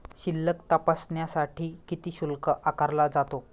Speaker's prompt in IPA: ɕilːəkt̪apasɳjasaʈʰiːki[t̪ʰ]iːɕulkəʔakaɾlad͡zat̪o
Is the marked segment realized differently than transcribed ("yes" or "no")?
yes